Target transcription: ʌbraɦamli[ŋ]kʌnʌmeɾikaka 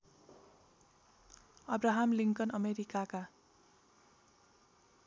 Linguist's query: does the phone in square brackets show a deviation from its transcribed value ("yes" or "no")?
no